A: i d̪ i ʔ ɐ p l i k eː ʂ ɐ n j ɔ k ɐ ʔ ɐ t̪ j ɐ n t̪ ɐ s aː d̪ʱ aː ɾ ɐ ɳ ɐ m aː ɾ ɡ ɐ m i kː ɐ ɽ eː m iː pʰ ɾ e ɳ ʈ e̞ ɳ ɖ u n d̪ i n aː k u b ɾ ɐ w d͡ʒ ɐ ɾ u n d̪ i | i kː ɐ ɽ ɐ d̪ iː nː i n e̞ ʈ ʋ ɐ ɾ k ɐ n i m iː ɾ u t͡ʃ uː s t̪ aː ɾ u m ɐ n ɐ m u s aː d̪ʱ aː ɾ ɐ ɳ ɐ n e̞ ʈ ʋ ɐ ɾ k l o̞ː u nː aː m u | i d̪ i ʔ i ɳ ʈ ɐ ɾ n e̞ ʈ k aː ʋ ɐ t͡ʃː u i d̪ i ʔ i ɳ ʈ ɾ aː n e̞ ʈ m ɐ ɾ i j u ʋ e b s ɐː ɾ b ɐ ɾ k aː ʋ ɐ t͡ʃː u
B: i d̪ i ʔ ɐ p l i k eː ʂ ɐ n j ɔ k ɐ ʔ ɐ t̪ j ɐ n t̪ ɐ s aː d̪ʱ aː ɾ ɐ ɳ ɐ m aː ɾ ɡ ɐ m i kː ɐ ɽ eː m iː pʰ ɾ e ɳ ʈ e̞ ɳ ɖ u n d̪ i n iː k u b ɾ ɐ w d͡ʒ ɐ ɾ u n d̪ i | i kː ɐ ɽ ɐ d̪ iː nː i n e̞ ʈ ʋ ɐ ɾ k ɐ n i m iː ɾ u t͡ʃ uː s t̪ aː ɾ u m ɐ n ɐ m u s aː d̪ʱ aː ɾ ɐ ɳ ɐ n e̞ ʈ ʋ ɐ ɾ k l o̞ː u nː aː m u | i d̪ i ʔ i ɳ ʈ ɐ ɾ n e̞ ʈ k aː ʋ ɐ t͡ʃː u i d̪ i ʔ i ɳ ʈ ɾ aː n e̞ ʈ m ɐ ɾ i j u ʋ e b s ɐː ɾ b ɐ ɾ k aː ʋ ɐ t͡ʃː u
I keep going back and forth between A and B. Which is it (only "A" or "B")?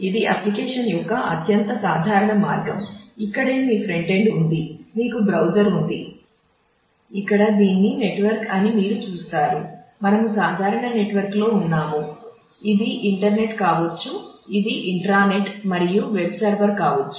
B